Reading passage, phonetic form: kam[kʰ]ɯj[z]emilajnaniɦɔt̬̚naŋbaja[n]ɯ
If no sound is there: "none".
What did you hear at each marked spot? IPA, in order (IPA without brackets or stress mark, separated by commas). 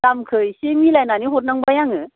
kʰ, s, ŋ